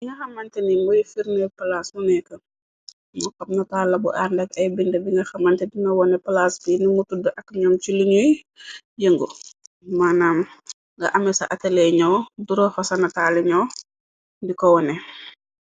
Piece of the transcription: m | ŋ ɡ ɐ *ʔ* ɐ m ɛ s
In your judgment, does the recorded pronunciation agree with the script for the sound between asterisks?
yes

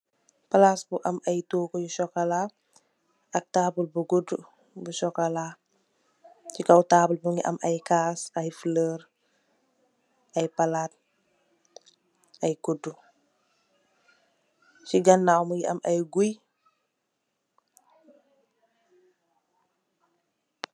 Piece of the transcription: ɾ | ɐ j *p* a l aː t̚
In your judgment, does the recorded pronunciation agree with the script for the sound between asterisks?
yes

